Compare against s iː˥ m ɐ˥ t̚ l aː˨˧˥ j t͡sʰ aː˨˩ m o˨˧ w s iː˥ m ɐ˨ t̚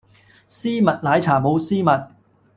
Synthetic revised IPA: s iː˥ m ɐ˨ t̚ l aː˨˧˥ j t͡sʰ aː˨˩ m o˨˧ w s iː˥ m ɐ˨ t̚